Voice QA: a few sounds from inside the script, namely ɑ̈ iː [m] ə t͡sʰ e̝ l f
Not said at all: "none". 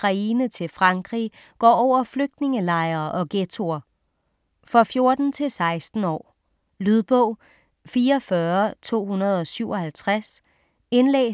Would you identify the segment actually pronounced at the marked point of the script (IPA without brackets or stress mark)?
n